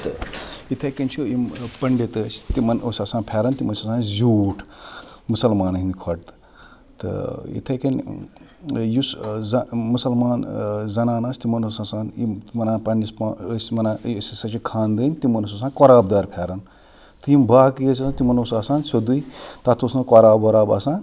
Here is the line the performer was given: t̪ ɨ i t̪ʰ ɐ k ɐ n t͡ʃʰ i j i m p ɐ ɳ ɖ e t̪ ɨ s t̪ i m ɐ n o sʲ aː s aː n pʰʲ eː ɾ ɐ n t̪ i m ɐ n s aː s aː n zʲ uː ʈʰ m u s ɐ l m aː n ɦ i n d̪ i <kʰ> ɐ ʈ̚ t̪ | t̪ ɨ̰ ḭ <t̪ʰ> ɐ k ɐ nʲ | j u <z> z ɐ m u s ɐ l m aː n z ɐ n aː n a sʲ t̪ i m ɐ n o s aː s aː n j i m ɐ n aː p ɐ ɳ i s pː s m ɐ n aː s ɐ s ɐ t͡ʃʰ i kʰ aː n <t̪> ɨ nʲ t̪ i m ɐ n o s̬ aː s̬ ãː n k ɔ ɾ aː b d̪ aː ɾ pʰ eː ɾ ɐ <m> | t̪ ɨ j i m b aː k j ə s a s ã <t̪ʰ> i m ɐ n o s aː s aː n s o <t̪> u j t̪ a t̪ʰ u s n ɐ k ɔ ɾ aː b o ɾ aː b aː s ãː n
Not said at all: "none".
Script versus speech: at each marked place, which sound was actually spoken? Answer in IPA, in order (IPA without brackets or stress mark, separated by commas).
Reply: kʰ, t̪ʰ, s, d̪, n, t̪, d̪